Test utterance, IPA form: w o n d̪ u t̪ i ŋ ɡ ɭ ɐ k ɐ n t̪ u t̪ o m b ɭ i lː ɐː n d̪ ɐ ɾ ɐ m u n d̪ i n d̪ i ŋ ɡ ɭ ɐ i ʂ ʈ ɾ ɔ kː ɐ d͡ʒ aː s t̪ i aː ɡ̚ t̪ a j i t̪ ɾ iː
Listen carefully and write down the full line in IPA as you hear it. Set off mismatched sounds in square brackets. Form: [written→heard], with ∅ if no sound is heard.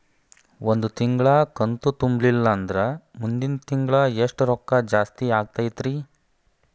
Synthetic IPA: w o n d̪ u t̪ i ŋ ɡ ɭ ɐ k ɐ n t̪ u t̪ [o→u] m b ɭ i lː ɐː n d̪ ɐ ɾ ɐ m u n d̪ i n [d̪→t̪] i ŋ ɡ ɭ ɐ [i→e] ʂ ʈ ɾ ɔ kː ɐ d͡ʒ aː s t̪ i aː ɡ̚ t̪ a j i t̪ ɾ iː